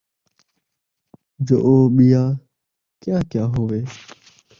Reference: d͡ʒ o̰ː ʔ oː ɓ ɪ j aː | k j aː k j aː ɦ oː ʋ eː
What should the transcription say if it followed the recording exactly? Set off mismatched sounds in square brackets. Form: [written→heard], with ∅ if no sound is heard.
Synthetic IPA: d͡ʒ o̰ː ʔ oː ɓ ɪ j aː | k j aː k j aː ɦ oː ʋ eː